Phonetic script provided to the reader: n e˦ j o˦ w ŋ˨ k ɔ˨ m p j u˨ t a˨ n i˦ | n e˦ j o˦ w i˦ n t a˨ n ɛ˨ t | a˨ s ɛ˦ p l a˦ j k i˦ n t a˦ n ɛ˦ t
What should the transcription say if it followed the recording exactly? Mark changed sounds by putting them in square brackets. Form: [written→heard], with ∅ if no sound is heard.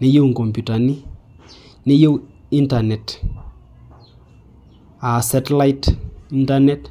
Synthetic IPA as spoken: n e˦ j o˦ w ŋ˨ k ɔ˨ m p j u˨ t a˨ n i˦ | n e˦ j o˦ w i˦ n t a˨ n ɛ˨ t | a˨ s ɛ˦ [p→t] l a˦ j [k→t] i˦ n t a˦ n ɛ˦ t